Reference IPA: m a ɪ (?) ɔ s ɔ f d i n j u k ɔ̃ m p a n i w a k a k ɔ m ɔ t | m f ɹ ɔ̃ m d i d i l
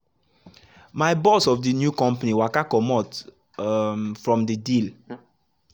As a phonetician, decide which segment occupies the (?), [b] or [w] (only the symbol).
b